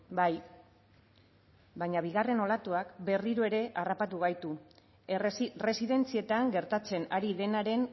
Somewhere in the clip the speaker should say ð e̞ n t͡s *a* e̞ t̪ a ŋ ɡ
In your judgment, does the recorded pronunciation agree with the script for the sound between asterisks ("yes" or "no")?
no